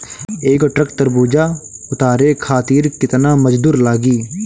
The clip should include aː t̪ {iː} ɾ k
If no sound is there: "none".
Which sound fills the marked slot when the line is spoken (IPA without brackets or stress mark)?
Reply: iː